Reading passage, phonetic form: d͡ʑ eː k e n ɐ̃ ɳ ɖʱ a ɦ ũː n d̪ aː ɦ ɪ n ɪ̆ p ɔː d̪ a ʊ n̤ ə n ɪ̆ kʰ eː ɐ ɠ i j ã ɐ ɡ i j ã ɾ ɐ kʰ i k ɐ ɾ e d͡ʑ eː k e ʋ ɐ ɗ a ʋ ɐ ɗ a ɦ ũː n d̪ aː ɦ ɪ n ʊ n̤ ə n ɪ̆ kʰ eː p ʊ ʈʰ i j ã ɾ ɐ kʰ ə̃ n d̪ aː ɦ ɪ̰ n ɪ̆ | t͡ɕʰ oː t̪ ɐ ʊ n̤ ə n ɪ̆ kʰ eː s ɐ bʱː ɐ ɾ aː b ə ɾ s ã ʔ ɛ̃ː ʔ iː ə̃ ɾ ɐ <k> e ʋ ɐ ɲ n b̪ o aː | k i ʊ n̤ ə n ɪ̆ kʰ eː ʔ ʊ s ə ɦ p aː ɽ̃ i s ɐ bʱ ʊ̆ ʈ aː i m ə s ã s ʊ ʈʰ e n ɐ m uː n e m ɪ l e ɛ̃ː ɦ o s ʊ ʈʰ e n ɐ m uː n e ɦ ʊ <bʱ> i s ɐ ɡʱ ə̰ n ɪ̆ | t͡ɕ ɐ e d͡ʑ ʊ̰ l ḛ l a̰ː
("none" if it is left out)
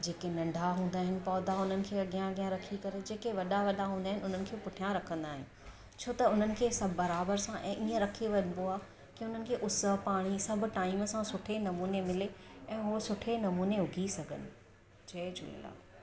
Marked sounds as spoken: kʰ, ɡʱ

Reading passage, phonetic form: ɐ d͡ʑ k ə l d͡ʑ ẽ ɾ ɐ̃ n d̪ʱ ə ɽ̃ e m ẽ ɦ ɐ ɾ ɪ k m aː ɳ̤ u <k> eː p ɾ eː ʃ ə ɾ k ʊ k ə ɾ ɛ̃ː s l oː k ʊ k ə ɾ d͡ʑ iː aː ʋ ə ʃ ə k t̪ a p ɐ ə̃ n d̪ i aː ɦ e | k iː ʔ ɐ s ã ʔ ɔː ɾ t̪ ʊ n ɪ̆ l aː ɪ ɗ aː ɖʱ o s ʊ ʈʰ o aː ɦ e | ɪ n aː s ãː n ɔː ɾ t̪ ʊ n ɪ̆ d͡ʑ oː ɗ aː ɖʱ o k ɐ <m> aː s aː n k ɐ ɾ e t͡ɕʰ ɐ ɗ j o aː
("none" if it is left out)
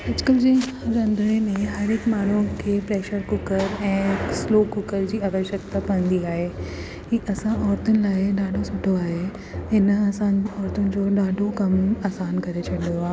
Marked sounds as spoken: kʰ, m

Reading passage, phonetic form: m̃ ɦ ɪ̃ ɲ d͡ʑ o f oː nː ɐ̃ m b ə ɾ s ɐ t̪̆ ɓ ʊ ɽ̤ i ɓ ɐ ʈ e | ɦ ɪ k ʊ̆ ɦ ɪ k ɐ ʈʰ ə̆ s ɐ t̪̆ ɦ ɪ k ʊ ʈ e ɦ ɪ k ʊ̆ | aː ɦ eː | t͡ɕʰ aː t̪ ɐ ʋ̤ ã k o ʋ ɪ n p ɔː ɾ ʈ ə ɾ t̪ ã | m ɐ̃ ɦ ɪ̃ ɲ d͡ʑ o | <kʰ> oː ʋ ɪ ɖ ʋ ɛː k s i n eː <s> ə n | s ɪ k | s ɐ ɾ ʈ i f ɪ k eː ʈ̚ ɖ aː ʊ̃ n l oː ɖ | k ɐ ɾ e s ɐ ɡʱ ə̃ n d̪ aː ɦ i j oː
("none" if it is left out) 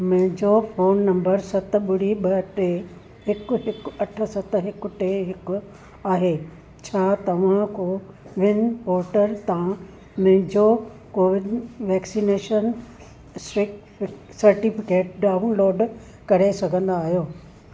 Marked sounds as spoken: k, ʃ

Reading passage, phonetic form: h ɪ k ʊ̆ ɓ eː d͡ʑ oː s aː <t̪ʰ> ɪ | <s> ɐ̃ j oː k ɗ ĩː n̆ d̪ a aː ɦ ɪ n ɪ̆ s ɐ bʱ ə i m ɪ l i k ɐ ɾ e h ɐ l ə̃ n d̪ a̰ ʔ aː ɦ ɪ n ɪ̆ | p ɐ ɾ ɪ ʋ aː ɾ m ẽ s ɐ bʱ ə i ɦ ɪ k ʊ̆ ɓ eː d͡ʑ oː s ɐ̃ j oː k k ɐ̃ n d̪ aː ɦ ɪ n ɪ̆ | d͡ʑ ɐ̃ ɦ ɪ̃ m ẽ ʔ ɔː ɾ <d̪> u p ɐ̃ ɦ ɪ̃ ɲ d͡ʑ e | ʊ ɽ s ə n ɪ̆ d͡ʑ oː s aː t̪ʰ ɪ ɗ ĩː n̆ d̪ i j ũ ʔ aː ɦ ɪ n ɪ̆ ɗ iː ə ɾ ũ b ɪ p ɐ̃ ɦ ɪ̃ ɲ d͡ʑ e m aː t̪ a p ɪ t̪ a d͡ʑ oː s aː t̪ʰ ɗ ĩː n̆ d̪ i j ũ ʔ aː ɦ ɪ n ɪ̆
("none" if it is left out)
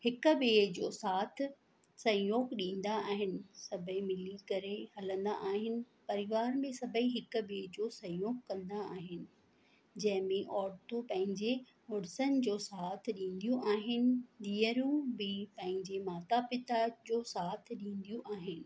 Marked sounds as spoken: t̪ʰ, s, t̪

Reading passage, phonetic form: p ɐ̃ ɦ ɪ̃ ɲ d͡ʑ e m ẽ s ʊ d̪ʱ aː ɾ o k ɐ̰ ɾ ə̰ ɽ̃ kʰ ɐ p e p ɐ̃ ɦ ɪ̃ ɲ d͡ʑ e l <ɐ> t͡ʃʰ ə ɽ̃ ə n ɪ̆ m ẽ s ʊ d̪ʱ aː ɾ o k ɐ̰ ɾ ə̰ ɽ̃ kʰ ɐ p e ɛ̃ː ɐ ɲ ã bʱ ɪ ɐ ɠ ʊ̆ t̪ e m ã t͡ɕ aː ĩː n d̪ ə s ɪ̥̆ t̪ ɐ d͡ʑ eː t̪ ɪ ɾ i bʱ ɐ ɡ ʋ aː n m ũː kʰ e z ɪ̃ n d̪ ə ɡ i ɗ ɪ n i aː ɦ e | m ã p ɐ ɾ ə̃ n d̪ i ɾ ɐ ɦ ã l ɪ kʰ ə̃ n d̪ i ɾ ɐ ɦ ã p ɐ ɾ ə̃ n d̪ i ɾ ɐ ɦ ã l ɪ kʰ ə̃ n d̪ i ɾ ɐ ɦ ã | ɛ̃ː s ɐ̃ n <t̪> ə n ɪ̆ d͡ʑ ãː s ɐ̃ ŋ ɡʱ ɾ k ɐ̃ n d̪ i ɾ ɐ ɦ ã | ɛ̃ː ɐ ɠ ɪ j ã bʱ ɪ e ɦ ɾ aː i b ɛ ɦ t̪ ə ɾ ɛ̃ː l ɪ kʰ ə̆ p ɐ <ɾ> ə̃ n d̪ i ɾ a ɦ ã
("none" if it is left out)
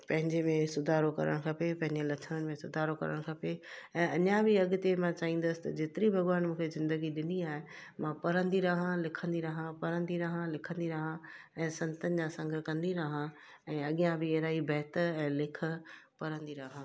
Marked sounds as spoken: ɐ, t̪, ɾ

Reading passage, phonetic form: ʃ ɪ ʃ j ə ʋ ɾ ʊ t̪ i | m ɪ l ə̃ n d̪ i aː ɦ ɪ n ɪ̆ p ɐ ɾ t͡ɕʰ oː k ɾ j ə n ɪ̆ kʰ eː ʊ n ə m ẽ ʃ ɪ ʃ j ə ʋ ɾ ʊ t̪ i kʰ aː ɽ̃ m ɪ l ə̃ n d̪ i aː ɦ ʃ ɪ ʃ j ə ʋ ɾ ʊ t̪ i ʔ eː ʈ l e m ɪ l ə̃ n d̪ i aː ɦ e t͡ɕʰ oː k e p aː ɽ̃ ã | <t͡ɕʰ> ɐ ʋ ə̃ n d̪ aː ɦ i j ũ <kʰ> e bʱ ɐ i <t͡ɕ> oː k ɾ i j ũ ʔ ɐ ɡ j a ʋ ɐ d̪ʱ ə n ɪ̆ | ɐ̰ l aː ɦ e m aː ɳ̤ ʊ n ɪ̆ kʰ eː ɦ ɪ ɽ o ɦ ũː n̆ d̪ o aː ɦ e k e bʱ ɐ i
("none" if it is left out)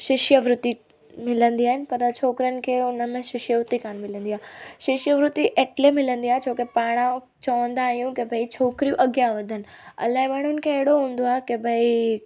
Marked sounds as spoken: t͡ɕ, k, t͡ɕʰ

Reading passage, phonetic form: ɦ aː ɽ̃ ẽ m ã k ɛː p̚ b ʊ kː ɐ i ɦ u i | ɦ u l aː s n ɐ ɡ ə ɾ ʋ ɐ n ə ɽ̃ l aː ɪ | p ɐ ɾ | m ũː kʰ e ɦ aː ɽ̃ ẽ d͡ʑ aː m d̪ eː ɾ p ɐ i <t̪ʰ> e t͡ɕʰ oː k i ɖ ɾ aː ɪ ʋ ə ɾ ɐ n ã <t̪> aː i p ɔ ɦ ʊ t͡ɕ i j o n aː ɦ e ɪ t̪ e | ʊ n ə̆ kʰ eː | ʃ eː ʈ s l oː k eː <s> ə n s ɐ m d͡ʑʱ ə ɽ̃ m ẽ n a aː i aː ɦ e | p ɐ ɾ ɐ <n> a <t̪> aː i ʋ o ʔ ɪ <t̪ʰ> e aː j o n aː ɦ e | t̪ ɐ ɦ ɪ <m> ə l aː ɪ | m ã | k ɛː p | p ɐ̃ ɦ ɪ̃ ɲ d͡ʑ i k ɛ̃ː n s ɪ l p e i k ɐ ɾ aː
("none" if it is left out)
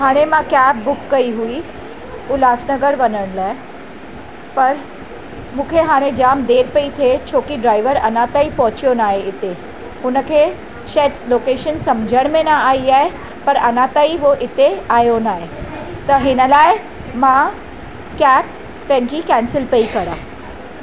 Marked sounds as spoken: t̪ʰ, t̪, ʃ, n, t̪, t̪, n

